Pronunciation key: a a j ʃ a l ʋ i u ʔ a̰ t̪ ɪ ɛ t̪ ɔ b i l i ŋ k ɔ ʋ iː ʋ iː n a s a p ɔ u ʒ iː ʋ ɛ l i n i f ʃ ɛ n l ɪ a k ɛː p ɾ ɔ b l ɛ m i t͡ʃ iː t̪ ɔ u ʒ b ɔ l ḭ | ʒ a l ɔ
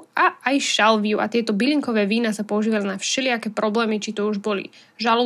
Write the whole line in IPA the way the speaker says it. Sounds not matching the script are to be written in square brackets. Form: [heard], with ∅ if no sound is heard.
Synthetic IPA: a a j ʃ a l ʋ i u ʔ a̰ t̪ ɪ ɛ t̪ ɔ b i l i ŋ k ɔ ʋ [ɛː] ʋ iː n a s a p ɔ u ʒ iː ʋ [a] l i n [a] f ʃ ɛ [∅] l ɪ a k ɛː p ɾ ɔ b l [ɛː] m i t͡ʃ [i] t̪ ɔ u ʒ b ɔ l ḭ | ʒ a l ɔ